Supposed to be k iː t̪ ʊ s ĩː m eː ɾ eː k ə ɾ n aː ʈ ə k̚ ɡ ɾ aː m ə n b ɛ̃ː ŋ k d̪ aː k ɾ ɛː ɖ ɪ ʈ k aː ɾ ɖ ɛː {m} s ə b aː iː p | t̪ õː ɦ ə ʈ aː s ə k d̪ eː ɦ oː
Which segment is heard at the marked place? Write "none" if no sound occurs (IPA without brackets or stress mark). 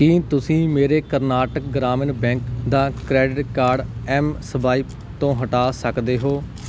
m